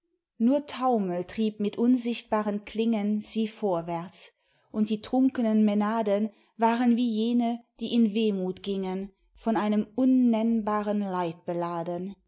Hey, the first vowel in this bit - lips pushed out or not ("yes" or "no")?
yes